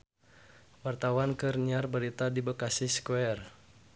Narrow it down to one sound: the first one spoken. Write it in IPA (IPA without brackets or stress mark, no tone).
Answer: w